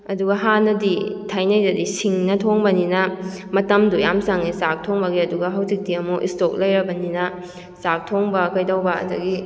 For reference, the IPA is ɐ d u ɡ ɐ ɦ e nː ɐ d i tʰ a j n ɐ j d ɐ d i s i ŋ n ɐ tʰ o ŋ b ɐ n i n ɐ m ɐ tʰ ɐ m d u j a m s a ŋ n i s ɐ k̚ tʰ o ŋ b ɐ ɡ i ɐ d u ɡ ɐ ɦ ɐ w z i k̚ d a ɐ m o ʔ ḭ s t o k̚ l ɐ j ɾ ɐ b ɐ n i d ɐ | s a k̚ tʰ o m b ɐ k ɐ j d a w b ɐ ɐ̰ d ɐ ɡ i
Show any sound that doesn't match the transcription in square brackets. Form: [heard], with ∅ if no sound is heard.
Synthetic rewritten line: ɐ d u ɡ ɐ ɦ [a] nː ɐ d i tʰ a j n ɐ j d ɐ d i s i ŋ n ɐ tʰ o ŋ b ɐ n i n ɐ m ɐ [t] ɐ m d u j a m s a ŋ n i s [a] k̚ tʰ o ŋ b ɐ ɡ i ɐ d u ɡ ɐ ɦ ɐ w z i k̚ d [i] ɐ m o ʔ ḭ s t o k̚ l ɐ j ɾ ɐ b ɐ n i [n] ɐ | s a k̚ tʰ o [ŋ] b ɐ k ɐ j d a w b ɐ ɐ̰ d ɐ ɡ i